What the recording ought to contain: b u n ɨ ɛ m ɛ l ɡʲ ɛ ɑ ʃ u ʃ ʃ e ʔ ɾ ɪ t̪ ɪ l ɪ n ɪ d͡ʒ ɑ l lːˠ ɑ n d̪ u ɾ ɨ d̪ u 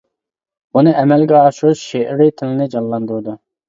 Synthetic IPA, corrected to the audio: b u n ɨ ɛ m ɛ l ɡʲ ɛ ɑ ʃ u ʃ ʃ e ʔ ɾ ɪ t̪ʰ ɪ l ɪ n ɪ d͡ʒ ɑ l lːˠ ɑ n d̪ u ɾ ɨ d̪ u